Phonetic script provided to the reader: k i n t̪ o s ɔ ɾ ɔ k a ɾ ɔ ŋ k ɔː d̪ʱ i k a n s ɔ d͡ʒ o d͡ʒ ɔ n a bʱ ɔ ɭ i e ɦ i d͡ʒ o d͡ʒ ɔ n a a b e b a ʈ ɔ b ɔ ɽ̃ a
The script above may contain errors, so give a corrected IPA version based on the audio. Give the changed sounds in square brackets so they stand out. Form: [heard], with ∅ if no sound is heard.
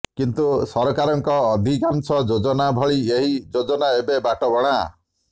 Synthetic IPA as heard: k i n t̪ [u] s ɔ ɾ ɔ k a ɾ ɔ ŋ k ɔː d̪ʱ i k a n s ɔ d͡ʒ o d͡ʒ ɔ n a bʱ ɔ ɭ i e ɦ i d͡ʒ o d͡ʒ ɔ n a [e] b e b a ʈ ɔ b ɔ ɽ̃ a